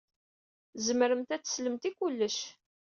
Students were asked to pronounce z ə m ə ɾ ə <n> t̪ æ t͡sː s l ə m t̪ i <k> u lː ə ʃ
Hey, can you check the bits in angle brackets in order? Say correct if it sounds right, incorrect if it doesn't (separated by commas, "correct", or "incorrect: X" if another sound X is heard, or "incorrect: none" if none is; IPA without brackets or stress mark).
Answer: incorrect: m, correct